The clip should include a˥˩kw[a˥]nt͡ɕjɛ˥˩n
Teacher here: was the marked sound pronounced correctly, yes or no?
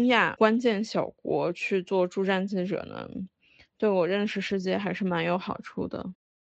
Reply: yes